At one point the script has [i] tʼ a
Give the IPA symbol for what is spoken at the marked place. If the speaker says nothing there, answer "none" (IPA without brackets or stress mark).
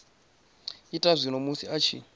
i